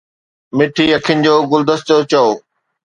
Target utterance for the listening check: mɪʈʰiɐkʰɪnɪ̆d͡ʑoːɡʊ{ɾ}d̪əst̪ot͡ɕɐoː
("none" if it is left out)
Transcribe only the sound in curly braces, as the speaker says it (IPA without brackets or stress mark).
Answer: l